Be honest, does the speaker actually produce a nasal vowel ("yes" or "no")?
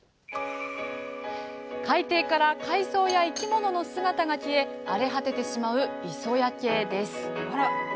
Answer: no